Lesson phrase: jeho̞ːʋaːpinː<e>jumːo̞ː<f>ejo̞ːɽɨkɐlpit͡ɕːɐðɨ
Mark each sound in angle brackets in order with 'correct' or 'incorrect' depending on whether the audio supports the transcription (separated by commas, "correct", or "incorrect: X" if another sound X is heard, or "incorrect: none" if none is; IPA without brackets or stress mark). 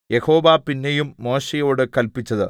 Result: correct, incorrect: ɕ